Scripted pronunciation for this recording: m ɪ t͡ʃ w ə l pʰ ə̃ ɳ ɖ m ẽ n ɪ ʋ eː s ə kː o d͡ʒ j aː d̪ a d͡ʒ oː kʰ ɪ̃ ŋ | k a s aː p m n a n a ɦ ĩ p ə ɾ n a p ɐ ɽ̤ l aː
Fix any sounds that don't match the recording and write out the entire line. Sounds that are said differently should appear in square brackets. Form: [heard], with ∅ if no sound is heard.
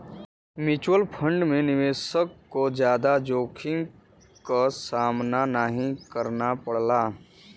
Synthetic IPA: m ɪ t͡ʃ w ə l pʰ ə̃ ɳ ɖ m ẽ n ɪ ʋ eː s ə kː o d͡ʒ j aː d̪ a d͡ʒ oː kʰ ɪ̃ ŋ | k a s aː [∅] m n a n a ɦ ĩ [k] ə ɾ n a p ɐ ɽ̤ l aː